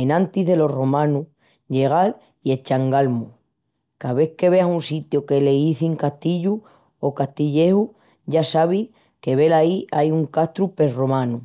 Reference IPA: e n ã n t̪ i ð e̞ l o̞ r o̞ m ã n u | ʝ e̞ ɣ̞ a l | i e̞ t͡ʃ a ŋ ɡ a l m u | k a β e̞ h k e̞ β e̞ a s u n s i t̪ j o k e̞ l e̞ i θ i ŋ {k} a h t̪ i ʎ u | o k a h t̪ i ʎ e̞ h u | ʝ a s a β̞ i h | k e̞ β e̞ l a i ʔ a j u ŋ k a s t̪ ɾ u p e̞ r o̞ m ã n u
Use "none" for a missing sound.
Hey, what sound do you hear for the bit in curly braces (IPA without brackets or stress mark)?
k